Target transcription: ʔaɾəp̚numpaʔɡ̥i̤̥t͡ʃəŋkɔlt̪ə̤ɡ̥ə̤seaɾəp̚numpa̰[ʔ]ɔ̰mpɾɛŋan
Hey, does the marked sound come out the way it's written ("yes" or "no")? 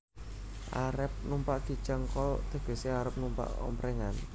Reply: yes